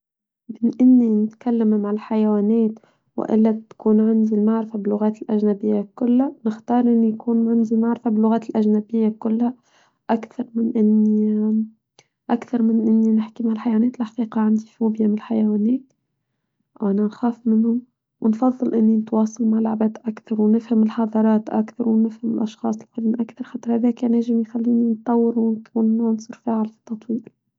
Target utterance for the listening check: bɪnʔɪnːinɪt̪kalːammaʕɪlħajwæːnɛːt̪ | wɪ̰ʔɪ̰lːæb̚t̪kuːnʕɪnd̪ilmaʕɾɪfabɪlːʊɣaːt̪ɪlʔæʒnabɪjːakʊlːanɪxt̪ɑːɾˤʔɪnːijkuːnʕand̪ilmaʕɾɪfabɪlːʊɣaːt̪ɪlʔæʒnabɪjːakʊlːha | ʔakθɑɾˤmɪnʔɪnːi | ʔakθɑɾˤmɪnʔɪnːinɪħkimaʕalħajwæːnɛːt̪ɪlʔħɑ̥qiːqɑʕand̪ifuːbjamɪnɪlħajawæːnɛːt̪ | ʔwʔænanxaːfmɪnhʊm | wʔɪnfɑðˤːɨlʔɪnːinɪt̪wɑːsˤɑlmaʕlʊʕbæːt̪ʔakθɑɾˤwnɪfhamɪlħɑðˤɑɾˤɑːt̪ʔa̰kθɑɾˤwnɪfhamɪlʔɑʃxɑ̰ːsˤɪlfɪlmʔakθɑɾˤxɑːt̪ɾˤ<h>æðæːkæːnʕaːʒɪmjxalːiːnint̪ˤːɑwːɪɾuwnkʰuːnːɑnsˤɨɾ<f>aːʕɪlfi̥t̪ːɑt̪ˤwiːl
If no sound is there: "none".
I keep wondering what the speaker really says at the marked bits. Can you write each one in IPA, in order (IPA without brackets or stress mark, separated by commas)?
h, f